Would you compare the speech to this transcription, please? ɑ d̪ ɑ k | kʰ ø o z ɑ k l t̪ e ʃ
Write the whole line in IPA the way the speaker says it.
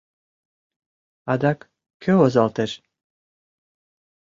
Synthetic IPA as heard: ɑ d̪ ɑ k | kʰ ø o z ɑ l t̪ e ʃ